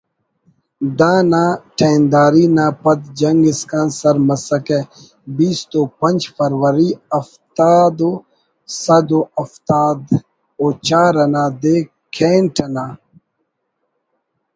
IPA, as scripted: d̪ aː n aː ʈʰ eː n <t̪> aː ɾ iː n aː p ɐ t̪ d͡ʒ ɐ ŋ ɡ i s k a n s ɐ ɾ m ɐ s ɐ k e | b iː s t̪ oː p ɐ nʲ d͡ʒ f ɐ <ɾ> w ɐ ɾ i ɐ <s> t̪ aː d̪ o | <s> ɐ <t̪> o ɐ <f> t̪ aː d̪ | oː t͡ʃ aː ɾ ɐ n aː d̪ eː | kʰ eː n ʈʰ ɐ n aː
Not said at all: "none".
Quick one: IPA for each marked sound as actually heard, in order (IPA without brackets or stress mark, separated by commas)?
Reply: d̪, ɾ, f, s, d̪, f